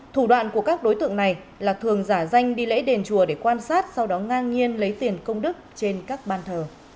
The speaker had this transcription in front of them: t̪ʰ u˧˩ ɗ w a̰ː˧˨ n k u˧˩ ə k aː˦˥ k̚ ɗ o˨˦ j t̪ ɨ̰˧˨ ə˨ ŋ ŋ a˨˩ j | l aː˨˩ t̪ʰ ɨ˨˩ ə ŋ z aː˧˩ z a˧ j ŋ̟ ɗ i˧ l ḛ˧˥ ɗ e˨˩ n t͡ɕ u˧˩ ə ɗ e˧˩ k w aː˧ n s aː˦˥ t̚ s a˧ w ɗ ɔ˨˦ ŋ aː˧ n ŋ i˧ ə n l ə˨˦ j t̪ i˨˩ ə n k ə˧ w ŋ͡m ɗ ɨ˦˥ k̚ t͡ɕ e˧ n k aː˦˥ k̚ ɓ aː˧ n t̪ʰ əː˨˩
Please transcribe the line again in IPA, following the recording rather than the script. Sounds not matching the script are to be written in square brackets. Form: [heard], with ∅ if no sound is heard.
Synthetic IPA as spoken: t̪ʰ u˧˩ ɗ w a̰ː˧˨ n k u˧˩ ə k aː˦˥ k̚ ɗ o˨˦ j t̪ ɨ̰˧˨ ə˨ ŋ [n] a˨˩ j | l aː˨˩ t̪ʰ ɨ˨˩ ə ŋ z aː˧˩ z a˧ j ŋ̟ ɗ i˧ l ḛ˧˥ ɗ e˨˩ n t͡ɕ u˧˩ ə ɗ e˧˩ k w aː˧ n s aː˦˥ t̚ s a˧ w ɗ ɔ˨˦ ŋ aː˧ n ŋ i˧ ə n l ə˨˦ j t̪ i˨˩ ə n k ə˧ w ŋ͡m ɗ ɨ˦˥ k̚ t͡ɕ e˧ n k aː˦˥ k̚ ɓ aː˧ n t̪ʰ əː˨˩